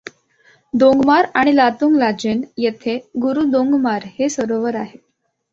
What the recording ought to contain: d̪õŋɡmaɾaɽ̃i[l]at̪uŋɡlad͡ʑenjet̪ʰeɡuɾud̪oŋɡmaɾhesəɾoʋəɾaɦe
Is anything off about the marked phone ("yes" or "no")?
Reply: no